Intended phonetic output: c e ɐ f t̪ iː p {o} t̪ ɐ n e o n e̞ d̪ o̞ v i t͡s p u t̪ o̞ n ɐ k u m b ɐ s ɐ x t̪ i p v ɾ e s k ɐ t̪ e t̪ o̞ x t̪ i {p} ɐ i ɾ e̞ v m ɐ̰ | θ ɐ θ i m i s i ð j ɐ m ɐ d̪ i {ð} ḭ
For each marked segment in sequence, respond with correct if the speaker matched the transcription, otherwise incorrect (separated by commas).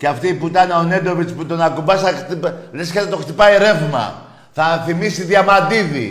incorrect, correct, correct